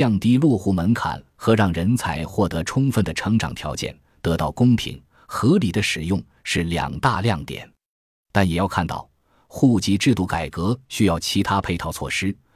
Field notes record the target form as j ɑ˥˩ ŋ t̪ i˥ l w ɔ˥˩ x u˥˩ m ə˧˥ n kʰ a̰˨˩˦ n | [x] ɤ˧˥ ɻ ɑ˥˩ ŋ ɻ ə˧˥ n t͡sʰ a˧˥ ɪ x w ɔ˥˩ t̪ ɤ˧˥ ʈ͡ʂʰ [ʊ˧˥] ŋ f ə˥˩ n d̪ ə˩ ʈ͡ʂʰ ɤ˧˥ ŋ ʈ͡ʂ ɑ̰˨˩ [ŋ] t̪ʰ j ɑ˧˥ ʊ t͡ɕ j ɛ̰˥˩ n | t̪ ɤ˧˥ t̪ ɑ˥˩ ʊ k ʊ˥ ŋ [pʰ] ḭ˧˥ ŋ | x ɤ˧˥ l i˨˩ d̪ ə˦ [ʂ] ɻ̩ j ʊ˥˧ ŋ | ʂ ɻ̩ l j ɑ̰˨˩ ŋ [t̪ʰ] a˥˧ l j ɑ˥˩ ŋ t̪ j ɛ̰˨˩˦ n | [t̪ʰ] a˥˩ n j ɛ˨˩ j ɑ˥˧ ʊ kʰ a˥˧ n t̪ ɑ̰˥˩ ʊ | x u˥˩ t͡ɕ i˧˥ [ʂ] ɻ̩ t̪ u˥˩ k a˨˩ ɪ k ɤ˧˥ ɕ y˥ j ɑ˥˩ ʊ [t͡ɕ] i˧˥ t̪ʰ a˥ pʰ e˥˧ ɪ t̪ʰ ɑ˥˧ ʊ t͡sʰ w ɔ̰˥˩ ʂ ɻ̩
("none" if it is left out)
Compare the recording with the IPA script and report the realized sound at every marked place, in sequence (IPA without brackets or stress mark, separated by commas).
x, ʊ˥, ŋ, pʰ, ʂ, t̪, t̪, ʈ͡ʂ, t͡ɕʰ